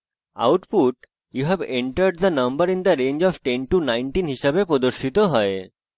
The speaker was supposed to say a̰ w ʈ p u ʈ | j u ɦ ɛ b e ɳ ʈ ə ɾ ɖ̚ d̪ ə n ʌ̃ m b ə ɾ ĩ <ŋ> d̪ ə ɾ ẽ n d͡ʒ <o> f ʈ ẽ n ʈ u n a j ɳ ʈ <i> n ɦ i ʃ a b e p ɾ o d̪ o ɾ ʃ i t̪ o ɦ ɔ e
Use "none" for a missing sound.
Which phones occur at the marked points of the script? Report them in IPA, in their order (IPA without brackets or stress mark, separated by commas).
n, ɔ, i